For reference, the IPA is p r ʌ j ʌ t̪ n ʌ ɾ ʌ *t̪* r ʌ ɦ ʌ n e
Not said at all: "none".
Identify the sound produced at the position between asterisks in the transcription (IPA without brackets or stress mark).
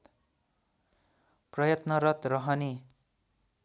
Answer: t̪